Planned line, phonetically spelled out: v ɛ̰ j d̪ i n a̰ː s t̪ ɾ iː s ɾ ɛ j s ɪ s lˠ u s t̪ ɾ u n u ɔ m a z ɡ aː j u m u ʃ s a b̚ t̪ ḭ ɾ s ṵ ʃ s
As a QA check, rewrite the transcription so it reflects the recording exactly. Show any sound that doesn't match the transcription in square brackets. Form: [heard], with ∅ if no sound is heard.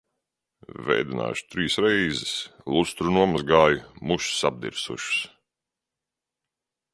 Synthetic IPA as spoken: v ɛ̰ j d̪ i n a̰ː [ʃ] t̪ ɾ iː s ɾ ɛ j [z] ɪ s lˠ u s t̪ ɾ u n u ɔ m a z ɡ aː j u m u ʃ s a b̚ [d̪] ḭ ɾ s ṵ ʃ s